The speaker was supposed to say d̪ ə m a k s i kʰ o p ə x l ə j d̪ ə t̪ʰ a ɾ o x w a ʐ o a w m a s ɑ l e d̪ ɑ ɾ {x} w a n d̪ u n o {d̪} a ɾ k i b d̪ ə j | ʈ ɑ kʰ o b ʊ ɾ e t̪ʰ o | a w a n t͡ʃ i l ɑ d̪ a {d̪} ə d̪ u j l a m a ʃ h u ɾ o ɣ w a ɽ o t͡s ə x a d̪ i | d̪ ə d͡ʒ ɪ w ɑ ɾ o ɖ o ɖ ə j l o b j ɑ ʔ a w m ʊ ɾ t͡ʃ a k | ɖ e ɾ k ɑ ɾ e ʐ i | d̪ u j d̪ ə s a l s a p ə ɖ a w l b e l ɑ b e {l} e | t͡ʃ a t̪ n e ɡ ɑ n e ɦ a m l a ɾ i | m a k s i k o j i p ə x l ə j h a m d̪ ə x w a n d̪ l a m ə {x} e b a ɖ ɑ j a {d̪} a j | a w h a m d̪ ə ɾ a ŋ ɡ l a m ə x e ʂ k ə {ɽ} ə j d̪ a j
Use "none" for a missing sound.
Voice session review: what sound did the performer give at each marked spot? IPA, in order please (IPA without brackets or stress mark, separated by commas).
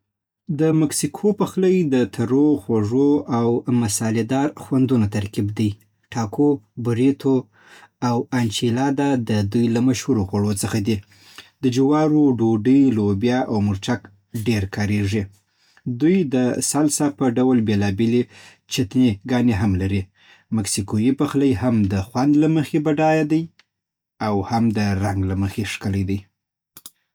x, t̪, d̪, l, x, d̪, l